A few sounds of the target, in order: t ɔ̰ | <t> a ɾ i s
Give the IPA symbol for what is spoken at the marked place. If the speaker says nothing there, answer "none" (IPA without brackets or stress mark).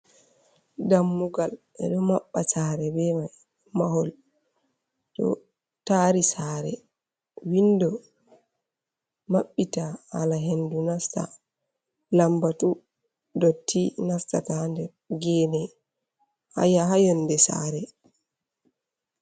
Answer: t